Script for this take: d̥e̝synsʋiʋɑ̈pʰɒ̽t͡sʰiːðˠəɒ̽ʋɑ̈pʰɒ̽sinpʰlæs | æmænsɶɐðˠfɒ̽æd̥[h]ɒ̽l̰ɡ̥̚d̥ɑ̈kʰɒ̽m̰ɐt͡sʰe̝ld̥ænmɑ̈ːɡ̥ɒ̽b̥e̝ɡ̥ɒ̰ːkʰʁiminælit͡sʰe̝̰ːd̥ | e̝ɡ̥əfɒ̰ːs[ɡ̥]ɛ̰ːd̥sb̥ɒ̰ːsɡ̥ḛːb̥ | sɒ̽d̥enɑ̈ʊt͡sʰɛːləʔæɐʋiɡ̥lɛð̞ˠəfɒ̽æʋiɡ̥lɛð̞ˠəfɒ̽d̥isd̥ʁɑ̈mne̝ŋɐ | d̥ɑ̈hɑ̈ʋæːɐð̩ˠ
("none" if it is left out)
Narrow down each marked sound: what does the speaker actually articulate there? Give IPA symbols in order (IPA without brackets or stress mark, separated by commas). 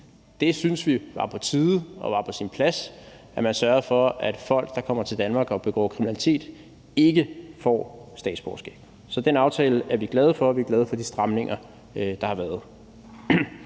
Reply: f, d̥